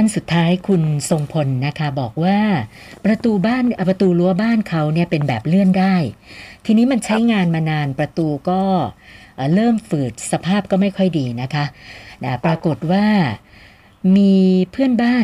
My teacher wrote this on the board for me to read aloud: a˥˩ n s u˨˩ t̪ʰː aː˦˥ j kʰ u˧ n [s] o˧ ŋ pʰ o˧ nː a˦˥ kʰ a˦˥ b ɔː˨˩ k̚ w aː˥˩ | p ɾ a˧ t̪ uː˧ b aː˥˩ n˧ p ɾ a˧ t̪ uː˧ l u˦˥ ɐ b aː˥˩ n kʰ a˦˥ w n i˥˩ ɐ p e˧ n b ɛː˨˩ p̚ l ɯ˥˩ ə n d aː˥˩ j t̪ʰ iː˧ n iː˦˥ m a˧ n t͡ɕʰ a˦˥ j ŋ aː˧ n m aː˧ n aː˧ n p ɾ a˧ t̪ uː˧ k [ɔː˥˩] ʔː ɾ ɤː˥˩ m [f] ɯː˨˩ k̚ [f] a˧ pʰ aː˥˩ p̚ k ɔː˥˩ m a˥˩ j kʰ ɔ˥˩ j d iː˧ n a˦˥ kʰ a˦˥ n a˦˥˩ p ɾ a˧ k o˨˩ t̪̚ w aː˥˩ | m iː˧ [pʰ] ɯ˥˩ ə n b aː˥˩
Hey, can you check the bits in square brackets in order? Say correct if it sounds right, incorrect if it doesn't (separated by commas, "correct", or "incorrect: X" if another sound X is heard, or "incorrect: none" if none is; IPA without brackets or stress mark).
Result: correct, correct, correct, incorrect: s, correct